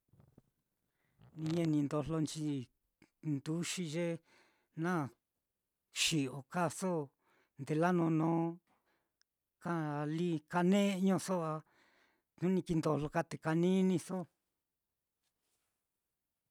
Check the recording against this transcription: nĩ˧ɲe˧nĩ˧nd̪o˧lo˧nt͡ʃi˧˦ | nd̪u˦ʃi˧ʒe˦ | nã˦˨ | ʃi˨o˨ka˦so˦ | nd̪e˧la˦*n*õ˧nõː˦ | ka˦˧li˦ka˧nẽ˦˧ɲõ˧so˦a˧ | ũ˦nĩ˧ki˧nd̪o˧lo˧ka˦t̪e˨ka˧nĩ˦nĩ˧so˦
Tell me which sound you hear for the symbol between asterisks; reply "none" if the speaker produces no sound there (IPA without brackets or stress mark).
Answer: n